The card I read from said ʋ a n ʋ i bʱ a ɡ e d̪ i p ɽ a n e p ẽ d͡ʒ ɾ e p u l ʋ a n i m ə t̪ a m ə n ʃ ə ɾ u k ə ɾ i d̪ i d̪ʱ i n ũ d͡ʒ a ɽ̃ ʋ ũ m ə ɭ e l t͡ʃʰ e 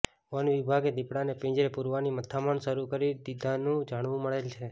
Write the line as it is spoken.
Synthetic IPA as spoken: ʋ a n ʋ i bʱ a ɡ e d̪ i p ɽ a n e p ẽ d͡ʒ ɾ e p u ɾ ʋ a n i m ə t̪ʰ a m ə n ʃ ə ɾ u k ə ɾ i d̪ i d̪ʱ a n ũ d͡ʒ a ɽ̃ ʋ ũ m ə ɭ e l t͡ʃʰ e